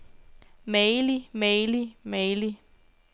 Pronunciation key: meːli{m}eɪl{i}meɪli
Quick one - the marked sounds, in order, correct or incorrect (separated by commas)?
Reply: correct, correct